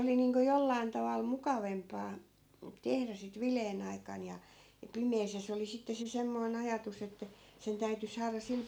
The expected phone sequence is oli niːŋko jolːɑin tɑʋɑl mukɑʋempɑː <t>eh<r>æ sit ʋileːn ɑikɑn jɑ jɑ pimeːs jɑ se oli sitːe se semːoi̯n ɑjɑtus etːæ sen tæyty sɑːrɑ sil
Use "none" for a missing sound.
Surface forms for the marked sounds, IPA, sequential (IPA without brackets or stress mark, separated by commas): t, r